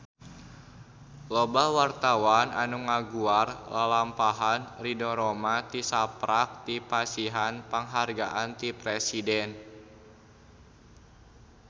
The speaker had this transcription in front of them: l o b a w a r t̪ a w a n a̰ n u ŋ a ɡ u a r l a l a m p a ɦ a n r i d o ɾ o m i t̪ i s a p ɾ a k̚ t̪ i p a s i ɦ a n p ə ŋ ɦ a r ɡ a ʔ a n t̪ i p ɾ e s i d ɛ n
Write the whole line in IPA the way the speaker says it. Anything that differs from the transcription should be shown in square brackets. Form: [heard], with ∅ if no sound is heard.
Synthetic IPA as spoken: l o b a w a r t̪ a w a n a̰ n u ŋ a ɡ u a r l a l a m p a ɦ a n r i d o ɾ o m [a] t̪ i s a p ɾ a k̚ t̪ i p a s i ɦ a n p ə ŋ ɦ a r ɡ a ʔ a n t̪ i p ɾ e s i d ɛ n